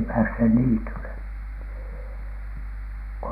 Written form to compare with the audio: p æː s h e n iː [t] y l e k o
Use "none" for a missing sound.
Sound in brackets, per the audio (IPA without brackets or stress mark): t